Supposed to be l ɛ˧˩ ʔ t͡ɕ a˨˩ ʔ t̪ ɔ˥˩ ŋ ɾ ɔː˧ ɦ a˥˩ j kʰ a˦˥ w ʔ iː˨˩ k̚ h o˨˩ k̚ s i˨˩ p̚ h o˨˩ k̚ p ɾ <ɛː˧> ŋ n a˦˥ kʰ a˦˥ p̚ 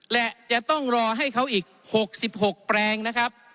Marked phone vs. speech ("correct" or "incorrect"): correct